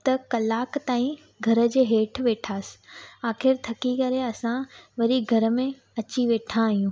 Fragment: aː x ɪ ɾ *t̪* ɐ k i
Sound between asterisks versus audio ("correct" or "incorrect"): incorrect